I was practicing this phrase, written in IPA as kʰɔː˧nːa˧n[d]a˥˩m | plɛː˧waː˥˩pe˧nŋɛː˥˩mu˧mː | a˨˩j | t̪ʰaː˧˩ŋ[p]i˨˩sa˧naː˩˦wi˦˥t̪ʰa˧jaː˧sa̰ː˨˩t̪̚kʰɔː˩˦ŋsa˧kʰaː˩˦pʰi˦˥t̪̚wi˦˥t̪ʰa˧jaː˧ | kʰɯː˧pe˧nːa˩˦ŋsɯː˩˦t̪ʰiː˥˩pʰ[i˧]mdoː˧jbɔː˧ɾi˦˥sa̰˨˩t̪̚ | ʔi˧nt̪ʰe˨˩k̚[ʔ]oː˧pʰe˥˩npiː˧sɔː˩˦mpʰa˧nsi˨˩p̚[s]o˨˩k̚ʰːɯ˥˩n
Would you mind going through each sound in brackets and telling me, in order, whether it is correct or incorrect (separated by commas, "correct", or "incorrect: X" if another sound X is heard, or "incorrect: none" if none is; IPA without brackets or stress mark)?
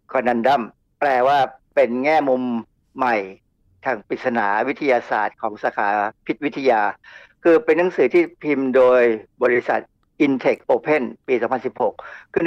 correct, correct, correct, correct, incorrect: h